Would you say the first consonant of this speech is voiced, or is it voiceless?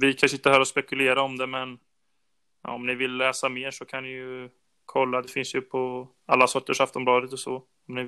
voiced